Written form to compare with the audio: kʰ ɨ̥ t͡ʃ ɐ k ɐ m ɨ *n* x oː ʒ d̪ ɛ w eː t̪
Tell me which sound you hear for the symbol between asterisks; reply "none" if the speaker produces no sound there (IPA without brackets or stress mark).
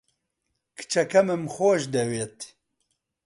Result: m